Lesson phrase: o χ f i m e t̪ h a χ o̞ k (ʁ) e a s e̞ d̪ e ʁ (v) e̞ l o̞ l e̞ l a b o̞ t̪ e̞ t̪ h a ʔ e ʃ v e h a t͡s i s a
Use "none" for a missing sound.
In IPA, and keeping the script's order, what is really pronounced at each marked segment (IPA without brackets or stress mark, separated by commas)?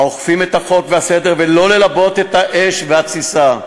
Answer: v, v